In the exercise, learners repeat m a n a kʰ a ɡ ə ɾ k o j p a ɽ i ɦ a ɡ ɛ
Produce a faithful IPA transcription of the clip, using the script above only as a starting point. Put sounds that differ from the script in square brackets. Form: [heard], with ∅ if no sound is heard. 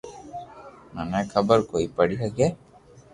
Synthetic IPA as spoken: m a n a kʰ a [b] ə ɾ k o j p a ɽ i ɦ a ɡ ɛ